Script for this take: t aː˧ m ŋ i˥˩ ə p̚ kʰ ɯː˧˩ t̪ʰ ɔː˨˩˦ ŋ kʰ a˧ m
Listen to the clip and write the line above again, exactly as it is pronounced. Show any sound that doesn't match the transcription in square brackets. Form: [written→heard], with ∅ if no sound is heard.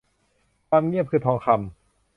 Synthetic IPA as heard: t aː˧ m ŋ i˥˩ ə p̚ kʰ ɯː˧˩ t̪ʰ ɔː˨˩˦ ŋ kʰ a˧ m